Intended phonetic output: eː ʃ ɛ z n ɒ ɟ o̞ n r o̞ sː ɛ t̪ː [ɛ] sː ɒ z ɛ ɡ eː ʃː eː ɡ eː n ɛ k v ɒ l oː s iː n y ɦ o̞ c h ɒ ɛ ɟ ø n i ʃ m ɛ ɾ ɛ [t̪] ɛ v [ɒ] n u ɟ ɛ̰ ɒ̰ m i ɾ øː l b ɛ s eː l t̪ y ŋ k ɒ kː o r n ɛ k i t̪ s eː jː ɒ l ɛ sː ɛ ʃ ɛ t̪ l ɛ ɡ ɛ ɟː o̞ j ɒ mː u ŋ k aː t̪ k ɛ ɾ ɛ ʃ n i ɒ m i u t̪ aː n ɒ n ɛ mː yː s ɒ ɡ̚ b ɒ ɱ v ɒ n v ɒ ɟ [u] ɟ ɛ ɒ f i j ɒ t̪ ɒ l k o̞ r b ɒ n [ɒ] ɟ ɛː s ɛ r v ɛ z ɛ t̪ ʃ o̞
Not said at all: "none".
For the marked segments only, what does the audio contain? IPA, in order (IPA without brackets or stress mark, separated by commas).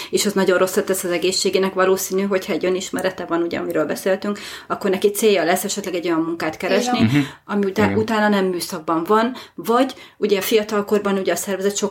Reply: ɛ, t̪, ɒ, u, u